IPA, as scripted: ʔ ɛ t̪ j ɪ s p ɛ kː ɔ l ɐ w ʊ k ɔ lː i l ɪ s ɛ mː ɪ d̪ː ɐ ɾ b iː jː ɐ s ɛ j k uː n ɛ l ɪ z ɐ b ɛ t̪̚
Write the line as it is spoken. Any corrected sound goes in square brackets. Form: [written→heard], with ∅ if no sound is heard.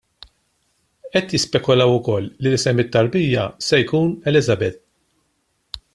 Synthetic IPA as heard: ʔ ɛ t̪ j ɪ s p ɛ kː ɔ l ɐ w ʊ k ɔ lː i l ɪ s ɛ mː ɪ [d̪ː→t̪ː] ɐ ɾ b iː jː ɐ s ɛ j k uː n ɛ l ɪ z ɐ b ɛ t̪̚